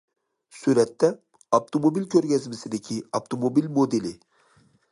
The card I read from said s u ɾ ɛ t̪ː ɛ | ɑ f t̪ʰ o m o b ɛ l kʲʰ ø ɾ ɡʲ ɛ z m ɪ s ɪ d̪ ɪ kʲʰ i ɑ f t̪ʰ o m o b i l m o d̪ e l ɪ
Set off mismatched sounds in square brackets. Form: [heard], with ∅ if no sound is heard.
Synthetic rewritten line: s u ɾ ɛ t̪ː ɛ | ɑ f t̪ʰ o m o b [i] l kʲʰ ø ɾ ɡʲ ɛ z m ɪ s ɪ d̪ ɪ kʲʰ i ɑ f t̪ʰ o m o b i l m o d̪ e l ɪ